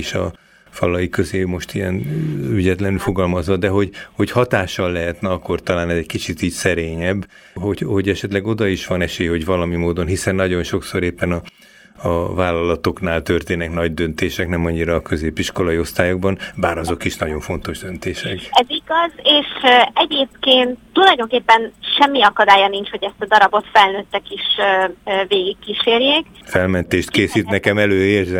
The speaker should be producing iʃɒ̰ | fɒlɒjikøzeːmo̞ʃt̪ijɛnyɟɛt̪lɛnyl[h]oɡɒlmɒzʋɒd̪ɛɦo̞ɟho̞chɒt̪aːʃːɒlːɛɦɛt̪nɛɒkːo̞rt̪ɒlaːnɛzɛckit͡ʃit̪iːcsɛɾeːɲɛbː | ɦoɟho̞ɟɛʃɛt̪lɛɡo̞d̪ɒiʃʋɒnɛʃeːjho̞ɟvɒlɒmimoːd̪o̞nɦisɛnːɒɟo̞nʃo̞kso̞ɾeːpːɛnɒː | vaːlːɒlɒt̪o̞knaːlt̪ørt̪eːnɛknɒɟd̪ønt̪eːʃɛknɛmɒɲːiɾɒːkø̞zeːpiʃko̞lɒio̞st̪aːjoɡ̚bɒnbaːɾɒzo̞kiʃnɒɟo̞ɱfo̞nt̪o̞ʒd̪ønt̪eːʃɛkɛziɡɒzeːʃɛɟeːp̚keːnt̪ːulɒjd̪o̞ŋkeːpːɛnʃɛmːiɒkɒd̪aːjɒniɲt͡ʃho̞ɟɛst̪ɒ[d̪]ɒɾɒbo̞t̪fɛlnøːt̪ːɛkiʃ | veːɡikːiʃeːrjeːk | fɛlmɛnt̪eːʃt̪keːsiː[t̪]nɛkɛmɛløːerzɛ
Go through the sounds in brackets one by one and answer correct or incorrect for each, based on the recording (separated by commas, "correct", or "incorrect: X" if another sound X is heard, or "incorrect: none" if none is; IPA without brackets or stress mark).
incorrect: f, correct, correct